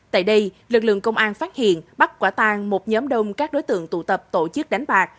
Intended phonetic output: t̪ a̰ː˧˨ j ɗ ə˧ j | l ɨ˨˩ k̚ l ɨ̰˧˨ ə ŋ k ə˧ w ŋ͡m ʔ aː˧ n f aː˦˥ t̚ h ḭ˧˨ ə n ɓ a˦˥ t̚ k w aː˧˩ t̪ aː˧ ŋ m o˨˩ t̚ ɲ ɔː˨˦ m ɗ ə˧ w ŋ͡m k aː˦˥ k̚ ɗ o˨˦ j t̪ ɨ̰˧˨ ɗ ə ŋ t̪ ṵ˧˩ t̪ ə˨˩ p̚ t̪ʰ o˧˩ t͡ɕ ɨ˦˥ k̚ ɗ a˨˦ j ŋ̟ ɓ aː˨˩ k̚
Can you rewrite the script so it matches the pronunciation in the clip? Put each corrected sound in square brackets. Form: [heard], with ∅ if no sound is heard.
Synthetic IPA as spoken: t̪ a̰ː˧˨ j ɗ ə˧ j | l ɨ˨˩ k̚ l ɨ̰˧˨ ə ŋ k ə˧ w ŋ͡m ʔ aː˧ n f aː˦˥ t̚ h ḭ˧˨ ə n ɓ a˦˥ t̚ k w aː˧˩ t̪ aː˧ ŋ m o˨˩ t̚ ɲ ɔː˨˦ m ɗ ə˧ w ŋ͡m k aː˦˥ k̚ ɗ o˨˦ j t̪ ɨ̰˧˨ [∅] ə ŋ t̪ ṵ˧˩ t̪ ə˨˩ p̚ [t̪] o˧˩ t͡ɕ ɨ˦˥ k̚ ɗ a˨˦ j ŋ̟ ɓ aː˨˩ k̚